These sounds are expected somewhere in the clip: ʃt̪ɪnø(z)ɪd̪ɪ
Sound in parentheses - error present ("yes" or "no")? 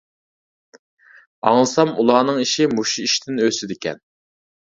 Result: yes